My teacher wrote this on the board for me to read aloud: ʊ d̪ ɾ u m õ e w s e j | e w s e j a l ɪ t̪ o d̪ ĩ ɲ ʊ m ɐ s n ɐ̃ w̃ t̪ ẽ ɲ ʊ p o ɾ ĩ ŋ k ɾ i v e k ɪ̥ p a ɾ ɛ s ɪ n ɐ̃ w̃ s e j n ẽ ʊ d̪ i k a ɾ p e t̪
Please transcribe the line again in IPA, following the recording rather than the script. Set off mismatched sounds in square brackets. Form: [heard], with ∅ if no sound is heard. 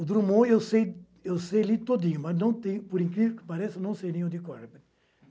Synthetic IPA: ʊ d̪ ɾ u m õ e w s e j | e w s e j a l [i] t̪ o d̪ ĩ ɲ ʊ m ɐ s n ɐ̃ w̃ t̪ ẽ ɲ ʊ p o ɾ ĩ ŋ k ɾ i v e k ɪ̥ p a ɾ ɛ s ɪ n ɐ̃ w̃ s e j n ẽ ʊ d̪ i k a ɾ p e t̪

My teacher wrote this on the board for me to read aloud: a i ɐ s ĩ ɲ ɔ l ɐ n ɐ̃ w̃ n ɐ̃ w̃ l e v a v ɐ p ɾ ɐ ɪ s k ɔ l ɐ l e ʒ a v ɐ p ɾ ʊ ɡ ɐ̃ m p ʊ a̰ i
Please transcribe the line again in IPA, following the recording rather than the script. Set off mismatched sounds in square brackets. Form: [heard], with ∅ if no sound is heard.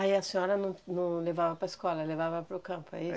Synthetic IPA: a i ɐ s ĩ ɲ ɔ [ɾ] ɐ n ɐ̃ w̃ n ɐ̃ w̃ l e v a v ɐ p ɾ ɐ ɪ s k ɔ l ɐ l e [v] a v ɐ p ɾ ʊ [k] ɐ̃ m p ʊ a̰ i

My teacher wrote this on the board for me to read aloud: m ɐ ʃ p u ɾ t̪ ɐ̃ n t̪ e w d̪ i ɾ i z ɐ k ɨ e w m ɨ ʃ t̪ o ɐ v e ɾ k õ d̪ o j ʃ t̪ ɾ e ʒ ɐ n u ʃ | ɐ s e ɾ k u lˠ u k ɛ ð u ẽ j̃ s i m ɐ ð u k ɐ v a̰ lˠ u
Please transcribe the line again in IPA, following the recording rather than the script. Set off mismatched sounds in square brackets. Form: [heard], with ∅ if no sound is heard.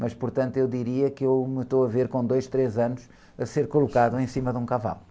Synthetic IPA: m ɐ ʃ p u ɾ t̪ ɐ̃ n t̪ e w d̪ i ɾ i [∅] ɐ k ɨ e w m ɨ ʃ t̪ o ɐ v e ɾ k õ d̪ o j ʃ t̪ ɾ e [z] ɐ n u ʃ | ɐ s e ɾ k u lˠ u k [a] ð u ẽ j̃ s i m ɐ ð [ũ] k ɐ v a̰ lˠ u

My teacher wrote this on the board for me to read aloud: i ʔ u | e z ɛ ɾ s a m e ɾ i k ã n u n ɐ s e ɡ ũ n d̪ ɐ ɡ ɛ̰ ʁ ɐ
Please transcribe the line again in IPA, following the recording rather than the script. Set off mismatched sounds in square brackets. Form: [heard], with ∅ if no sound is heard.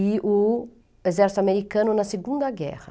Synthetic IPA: i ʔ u | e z ɛ ɾ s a m e ɾ i k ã n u n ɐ s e ɡ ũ n d̪ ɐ ɡ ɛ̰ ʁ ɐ

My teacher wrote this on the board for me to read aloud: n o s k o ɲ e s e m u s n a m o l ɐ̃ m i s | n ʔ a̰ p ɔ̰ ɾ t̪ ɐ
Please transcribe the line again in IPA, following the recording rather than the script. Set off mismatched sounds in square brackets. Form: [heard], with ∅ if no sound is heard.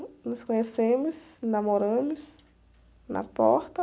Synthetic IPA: n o s k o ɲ e s e m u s n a m o [ɾ] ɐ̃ m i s | n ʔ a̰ p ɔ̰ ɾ t̪ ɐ

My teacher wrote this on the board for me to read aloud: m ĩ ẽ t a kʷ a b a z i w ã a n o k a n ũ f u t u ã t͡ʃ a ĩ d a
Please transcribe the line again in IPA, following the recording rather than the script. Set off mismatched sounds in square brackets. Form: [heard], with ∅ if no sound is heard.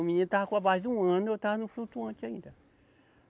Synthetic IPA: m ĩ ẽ t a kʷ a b a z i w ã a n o [t] a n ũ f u t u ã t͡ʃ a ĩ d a

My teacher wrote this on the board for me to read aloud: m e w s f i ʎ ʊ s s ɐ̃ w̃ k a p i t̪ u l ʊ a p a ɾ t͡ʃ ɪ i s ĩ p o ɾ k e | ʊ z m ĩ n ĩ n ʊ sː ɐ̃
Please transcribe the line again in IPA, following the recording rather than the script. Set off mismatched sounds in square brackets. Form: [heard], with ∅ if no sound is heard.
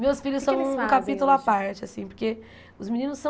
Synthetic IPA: m e w s f i ʎ ʊ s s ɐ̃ w̃ k a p i t̪ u l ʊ a p a ɾ t͡ʃ ɪ [a] s ĩ p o ɾ k e | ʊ z m [i] n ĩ n ʊ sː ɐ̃

